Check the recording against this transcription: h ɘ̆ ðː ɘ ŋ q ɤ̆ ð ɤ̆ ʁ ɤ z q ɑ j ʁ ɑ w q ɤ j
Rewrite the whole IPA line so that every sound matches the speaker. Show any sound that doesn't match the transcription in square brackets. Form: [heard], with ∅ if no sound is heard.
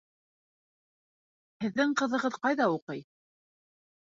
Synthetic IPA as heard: h ɘ̆ ðː ɘ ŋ q ɤ̆ ð ɤ̆ ʁ ɤ [ð] q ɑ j [ð] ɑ [u] q ɤ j